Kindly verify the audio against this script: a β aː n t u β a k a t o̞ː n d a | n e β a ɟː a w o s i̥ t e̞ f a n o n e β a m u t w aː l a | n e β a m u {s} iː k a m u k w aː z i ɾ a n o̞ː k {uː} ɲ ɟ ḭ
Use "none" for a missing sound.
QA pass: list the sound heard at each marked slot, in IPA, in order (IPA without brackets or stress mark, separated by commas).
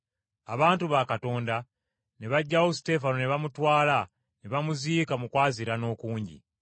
z, uː